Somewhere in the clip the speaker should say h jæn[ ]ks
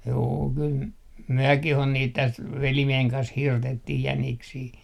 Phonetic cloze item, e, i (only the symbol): i